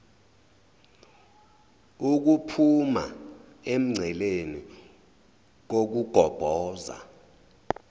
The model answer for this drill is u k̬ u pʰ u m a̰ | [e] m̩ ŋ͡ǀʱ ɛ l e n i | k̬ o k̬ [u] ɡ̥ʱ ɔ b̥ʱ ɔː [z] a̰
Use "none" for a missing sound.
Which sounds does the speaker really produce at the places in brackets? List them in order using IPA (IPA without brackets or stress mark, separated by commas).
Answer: e, u, z